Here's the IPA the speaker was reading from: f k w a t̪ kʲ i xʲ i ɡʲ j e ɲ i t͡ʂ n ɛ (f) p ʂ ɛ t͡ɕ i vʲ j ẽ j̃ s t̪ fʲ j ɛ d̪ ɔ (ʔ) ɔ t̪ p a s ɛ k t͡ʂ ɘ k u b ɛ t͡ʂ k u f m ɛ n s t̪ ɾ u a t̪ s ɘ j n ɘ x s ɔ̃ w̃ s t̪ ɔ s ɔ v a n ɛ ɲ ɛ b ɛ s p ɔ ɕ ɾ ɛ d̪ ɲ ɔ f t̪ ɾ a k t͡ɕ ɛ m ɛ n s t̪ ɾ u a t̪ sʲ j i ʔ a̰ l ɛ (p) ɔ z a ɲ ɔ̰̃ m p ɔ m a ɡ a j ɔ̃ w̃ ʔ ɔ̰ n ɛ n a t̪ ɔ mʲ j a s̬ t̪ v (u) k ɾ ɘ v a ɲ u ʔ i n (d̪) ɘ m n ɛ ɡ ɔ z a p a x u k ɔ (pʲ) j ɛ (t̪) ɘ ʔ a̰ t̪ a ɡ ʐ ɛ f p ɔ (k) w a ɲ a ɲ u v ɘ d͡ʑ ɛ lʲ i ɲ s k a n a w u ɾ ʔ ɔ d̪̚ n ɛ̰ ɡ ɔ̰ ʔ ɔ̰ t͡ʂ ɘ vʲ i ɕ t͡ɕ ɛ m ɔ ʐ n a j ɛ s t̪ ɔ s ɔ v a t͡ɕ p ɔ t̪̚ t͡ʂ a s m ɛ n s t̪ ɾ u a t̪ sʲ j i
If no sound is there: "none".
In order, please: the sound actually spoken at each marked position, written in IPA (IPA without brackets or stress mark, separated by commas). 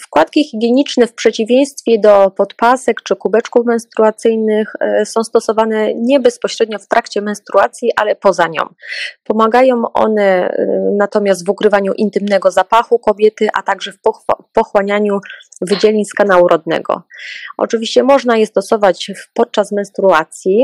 f, p, p, u, t̪, bʲ, t̪, x